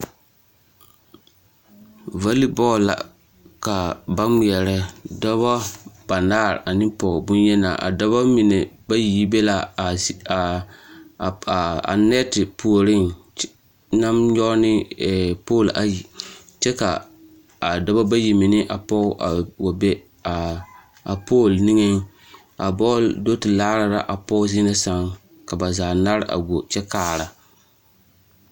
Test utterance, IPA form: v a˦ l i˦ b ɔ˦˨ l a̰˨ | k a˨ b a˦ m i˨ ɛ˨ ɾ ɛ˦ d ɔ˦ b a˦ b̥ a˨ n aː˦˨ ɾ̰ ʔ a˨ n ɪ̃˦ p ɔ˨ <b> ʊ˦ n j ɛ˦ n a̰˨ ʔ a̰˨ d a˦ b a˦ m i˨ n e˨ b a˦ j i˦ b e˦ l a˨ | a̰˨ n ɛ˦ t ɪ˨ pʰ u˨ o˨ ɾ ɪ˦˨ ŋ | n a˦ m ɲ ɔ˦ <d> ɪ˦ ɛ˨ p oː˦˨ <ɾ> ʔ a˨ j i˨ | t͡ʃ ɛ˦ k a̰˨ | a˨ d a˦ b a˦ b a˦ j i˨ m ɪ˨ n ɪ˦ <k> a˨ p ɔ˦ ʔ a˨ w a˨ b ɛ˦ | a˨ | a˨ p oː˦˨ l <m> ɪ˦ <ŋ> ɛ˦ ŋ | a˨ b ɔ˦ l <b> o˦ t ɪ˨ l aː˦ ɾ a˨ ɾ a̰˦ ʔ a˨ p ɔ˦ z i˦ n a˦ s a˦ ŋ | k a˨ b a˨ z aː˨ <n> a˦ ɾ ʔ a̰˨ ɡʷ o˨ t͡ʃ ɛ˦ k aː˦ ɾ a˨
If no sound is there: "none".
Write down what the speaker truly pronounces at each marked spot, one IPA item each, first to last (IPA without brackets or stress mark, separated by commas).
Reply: b, n, l, ʔ, n, ŋ, d, n